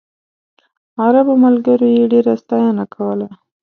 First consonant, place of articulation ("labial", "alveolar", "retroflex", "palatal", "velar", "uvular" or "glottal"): alveolar